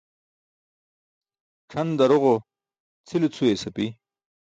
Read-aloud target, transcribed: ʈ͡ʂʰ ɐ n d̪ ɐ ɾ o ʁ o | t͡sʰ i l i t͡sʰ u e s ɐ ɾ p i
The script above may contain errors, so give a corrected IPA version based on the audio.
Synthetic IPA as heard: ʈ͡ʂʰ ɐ n d̪ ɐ ɾ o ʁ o | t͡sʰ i l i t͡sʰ u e s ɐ p i